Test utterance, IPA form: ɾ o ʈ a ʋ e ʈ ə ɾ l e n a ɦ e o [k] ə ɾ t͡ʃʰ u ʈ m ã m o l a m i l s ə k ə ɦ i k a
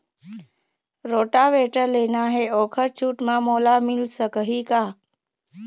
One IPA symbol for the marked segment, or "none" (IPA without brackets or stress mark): kʰ